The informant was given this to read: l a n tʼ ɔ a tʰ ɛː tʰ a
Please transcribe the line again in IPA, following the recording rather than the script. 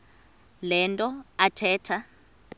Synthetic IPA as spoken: l ɛ n tʼ ɔ a tʰ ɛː tʰ a